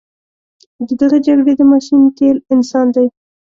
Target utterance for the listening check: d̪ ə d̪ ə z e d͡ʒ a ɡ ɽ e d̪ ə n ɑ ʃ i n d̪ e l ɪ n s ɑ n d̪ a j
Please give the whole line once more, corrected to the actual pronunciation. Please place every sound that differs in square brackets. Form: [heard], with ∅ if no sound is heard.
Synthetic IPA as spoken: d̪ ə d̪ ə [ɣ] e d͡ʒ a ɡ ɽ e d̪ ə [m] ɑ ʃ i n [t̪] e l ɪ n s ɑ n d̪ a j